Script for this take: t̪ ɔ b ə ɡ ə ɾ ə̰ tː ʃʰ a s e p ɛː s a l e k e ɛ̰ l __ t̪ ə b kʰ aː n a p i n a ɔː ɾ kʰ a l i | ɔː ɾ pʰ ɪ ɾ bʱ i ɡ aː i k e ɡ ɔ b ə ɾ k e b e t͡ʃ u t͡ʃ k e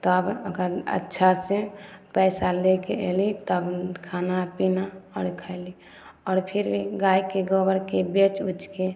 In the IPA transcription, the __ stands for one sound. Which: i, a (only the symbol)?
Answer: i